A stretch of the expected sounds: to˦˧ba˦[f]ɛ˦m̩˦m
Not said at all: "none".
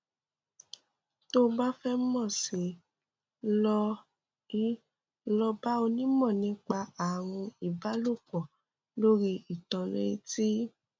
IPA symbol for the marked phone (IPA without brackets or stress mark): f